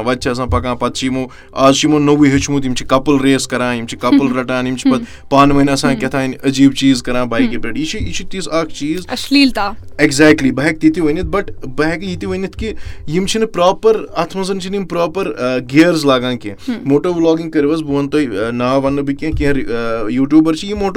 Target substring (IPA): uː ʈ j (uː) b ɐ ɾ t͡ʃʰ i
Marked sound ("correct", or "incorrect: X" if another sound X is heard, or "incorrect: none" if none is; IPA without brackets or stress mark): correct